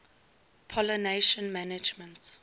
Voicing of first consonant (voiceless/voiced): voiceless